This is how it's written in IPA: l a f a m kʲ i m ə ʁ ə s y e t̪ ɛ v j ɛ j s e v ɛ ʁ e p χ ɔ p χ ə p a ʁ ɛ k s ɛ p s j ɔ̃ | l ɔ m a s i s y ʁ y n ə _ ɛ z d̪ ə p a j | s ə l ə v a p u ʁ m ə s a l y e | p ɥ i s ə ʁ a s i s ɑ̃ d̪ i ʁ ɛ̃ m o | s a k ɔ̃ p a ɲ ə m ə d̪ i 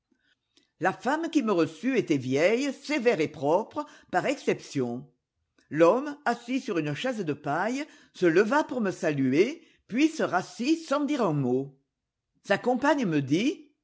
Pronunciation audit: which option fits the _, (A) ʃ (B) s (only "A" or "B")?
A